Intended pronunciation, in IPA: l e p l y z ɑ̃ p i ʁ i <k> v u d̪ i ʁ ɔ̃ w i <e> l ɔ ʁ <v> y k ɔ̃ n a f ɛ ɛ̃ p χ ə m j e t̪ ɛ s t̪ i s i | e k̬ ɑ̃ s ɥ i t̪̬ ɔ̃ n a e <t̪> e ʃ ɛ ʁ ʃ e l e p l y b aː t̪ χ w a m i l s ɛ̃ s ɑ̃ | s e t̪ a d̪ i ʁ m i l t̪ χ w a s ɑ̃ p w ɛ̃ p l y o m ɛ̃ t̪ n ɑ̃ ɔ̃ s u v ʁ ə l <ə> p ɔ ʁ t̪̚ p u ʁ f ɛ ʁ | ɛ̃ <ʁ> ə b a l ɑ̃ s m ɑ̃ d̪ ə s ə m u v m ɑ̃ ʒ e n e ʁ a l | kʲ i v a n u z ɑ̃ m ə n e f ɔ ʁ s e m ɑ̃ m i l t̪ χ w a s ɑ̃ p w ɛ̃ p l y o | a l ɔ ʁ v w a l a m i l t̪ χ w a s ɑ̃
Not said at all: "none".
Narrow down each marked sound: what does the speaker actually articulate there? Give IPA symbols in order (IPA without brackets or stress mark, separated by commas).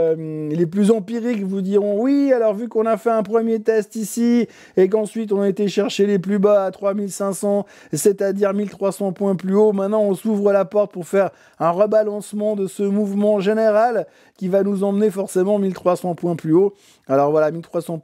k, a, v, t̪, a, ʁ